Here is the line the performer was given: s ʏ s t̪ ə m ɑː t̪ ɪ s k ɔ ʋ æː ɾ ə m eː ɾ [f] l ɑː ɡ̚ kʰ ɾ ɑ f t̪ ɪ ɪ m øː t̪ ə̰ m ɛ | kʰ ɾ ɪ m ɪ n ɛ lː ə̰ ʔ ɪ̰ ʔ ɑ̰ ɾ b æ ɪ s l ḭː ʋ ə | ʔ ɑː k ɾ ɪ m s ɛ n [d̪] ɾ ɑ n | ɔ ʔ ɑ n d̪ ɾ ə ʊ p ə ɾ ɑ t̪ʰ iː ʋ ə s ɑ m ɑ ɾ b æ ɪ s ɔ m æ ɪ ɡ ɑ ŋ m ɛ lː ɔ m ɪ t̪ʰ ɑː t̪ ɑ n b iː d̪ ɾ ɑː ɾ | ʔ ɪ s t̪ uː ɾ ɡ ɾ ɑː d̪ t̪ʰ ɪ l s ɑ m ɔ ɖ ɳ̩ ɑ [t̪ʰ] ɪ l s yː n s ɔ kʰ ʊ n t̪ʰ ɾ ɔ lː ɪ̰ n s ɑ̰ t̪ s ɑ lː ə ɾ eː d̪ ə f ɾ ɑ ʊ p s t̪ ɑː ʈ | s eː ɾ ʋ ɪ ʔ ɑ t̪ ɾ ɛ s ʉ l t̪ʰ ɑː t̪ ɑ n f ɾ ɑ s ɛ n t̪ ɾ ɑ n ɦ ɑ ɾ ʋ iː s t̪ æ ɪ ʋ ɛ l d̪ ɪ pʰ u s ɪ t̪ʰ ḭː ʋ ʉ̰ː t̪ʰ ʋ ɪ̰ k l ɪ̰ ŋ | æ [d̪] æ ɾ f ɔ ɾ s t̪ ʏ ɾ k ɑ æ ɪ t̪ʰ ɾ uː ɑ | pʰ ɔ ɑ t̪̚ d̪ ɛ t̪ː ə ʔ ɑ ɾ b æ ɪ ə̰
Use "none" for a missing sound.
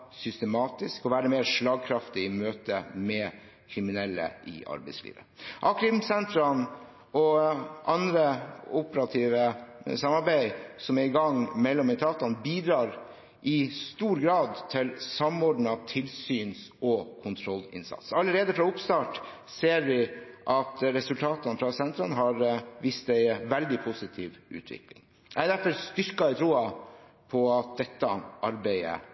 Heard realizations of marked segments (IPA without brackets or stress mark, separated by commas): ʂ, t̪, t̪ʰ, d̪